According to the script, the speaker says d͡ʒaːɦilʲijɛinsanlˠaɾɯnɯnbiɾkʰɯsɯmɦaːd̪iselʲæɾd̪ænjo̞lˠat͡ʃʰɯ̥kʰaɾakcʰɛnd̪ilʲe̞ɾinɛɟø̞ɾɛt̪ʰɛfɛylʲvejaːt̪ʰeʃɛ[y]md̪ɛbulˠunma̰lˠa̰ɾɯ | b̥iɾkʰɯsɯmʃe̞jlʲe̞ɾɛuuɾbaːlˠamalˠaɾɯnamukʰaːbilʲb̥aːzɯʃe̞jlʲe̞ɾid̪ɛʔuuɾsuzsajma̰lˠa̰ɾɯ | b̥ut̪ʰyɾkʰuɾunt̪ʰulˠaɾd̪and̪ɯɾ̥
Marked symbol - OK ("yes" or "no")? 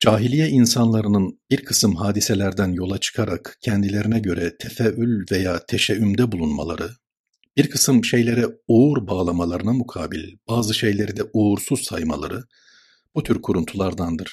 yes